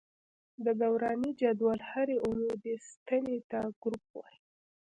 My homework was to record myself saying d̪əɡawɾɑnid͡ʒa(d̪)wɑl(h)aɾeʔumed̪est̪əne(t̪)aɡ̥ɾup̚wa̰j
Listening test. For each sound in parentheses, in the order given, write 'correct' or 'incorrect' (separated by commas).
correct, correct, correct